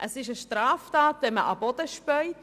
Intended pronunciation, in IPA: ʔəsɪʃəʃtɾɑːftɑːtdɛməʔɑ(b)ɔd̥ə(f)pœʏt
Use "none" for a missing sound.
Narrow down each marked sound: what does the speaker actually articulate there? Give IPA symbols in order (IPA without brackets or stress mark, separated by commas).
b, ʃ